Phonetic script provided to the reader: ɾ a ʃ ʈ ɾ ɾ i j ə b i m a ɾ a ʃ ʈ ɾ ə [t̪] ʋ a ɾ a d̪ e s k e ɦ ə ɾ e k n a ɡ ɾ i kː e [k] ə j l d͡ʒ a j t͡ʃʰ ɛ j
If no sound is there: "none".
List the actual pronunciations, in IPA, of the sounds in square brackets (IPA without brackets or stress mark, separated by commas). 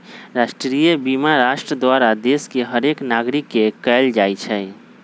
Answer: d̪, k